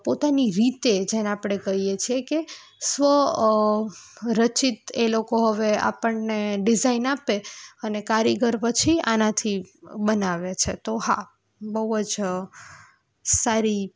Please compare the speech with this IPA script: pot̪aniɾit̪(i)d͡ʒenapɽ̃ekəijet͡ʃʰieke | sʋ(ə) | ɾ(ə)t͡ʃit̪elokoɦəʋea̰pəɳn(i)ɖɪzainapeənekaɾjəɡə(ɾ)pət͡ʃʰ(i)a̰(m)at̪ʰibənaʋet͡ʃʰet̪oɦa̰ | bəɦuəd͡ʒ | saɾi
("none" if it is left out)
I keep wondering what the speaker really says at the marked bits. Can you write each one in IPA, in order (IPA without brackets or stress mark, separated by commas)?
e, ə, ə, e, ɾ, i, n